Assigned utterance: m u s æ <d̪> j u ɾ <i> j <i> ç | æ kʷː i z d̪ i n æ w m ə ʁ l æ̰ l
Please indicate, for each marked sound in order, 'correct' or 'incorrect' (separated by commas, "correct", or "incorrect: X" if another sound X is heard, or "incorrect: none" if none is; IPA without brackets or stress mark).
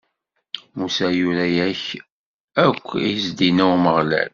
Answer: incorrect: none, incorrect: æ, incorrect: æ